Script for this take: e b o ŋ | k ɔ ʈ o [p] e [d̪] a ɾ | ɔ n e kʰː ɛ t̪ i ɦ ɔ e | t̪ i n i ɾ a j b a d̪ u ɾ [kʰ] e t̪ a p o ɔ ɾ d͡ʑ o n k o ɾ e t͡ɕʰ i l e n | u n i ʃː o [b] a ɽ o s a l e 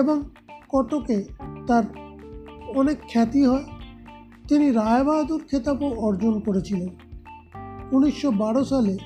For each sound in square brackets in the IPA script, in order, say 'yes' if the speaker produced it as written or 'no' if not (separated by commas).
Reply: no, no, yes, yes